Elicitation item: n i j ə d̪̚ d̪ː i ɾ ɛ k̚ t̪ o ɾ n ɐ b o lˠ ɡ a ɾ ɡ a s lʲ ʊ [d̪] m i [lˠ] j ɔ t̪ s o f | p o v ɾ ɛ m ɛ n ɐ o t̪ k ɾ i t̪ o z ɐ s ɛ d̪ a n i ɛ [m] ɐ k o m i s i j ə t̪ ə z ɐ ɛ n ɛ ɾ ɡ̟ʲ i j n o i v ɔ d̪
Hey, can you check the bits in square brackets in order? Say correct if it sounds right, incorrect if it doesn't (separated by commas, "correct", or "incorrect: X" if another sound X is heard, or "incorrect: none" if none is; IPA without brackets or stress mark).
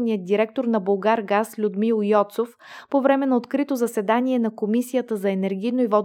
correct, correct, incorrect: n